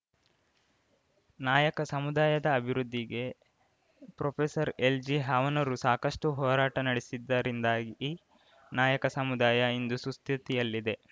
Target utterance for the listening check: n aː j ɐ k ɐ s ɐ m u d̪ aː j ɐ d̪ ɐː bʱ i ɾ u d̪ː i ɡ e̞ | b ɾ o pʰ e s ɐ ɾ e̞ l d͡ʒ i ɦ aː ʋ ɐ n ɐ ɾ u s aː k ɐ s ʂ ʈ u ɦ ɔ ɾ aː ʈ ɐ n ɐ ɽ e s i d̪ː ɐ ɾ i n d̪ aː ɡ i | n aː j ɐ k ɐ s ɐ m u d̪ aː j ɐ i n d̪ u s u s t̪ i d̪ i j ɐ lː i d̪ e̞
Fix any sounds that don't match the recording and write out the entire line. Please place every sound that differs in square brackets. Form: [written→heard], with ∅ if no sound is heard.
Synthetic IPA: n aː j ɐ k ɐ s ɐ m u d̪ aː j ɐ d̪ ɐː bʱ i ɾ u d̪ː i ɡ e̞ | [b→p] ɾ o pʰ e s ɐ ɾ e̞ l d͡ʒ i ɦ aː ʋ ɐ n ɐ ɾ u s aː k ɐ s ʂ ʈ u ɦ [ɔ→ɔː] ɾ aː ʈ ɐ n ɐ ɽ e s i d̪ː ɐ ɾ i n d̪ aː ɡ i | n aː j ɐ k ɐ s ɐ m u d̪ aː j ɐ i n d̪ u s u s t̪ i [d̪→t̪] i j ɐ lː i d̪ e̞